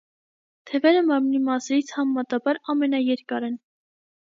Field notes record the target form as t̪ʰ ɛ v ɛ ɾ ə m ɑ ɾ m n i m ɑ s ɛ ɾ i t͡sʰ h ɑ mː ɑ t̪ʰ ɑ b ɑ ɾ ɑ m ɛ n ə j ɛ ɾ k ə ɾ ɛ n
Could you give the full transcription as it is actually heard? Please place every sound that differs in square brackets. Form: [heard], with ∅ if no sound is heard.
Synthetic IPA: t̪ʰ ɛ v ɛ ɾ ə m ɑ ɾ m n i m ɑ s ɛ ɾ i t͡sʰ h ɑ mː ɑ [t̪] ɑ b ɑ ɾ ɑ m ɛ n [ɑ] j ɛ ɾ k [ɑ] ɾ ɛ n